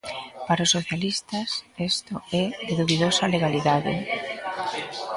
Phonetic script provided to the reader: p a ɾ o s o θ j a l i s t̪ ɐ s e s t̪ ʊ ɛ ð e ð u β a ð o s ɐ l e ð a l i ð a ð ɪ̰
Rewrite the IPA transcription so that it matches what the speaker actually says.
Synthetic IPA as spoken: p a ɾ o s o θ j a l i s t̪ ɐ s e s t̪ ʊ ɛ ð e ð u β i ð o s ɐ l e ɣ a l i ð a ð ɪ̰